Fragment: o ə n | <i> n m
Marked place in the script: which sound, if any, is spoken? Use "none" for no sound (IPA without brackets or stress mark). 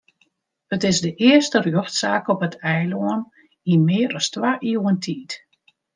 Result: i